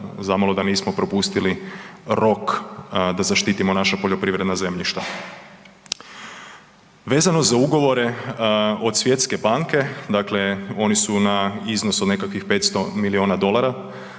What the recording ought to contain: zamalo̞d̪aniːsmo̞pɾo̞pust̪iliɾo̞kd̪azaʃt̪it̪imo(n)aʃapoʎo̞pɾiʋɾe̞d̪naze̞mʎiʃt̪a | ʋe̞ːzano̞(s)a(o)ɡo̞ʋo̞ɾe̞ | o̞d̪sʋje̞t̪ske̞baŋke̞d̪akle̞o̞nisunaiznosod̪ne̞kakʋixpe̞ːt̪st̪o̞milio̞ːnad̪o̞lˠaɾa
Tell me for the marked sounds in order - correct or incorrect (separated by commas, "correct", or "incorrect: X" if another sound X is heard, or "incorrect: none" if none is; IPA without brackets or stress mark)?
correct, incorrect: z, incorrect: u